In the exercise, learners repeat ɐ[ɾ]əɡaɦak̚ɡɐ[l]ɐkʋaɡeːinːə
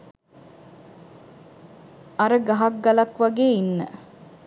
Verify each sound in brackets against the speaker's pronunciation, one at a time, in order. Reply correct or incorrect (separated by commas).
correct, correct